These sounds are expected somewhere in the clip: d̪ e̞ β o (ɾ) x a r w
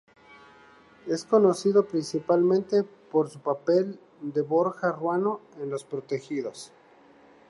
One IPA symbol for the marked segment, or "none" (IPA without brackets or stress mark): ɾ